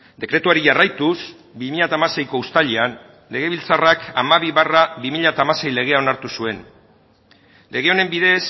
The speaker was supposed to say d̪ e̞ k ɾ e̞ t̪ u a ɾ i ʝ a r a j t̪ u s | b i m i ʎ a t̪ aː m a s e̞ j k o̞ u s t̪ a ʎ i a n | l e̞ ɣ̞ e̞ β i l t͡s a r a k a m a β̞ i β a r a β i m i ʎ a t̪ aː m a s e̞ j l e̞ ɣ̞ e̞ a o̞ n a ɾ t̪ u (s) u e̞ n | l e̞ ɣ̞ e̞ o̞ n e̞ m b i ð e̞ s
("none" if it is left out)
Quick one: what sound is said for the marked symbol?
s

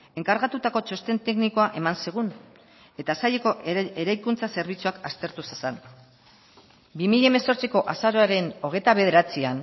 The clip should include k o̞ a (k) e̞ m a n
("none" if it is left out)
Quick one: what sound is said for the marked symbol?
ʔ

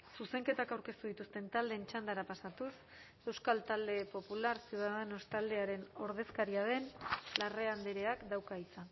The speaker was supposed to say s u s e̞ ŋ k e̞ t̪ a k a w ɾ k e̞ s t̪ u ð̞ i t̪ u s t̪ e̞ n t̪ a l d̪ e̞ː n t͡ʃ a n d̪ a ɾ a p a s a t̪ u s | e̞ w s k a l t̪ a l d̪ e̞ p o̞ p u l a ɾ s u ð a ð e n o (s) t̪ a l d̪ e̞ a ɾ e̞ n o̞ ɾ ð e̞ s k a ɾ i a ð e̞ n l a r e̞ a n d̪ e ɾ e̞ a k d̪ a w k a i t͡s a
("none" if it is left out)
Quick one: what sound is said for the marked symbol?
s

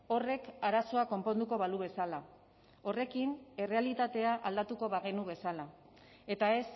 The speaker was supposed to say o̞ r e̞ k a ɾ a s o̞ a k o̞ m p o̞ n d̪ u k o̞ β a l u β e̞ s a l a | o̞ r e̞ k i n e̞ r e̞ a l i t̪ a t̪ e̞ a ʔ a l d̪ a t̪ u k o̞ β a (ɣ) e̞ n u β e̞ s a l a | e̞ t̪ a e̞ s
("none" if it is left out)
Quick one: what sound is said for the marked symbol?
ɣ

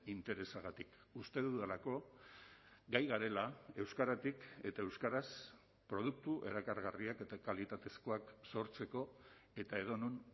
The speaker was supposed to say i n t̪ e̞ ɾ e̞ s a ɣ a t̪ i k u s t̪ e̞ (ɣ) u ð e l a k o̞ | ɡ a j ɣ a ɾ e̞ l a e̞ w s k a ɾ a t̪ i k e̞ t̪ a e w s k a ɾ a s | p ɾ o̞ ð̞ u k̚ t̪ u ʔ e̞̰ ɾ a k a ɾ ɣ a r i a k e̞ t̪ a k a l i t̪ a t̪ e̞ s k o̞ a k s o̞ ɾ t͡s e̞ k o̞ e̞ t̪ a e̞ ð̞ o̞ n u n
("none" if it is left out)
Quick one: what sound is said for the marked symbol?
ð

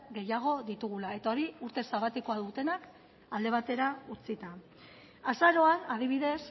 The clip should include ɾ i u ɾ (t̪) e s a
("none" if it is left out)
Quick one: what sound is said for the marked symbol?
t̪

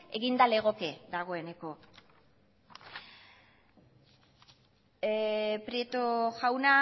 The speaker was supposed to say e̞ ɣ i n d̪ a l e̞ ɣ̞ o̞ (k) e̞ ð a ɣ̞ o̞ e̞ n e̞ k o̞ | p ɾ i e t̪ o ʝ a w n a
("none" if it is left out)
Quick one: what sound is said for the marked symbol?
k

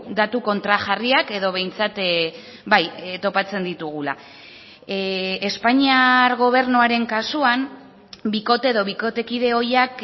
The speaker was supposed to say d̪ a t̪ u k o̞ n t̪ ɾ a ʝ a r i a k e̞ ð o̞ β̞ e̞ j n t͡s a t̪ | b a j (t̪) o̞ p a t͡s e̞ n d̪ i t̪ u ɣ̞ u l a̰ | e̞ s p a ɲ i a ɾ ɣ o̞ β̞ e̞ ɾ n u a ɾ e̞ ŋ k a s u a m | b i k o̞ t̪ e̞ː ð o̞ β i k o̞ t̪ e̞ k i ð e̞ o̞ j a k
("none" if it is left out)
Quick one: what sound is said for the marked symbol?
t̪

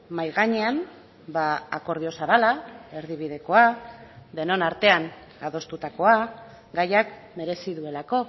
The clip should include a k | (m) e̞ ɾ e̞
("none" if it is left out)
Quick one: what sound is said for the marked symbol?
m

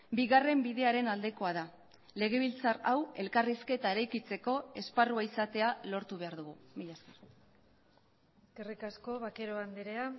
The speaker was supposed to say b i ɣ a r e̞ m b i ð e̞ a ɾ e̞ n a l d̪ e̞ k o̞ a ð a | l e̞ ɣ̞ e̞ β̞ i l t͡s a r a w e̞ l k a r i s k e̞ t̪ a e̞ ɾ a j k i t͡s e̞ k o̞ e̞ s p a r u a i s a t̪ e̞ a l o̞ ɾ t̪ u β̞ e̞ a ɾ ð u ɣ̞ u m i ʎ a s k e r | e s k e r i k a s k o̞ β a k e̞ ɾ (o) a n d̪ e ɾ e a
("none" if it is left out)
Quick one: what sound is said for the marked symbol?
o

